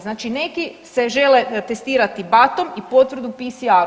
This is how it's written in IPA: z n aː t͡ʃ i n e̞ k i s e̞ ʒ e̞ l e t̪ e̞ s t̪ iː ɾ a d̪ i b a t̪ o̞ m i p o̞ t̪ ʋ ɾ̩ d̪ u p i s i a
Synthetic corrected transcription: z n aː t͡ʃ i n e̞ k i s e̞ ʒ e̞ l e t̪ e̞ s t̪ iː ɾ a t̪ i b a t̪ o̞ m i p o̞ t̪ ʋ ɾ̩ d̪ u p i s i a